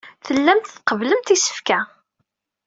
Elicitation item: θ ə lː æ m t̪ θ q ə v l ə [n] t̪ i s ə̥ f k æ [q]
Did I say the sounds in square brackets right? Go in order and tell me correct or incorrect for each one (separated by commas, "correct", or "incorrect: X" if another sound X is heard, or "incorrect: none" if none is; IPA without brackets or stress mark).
incorrect: m, incorrect: none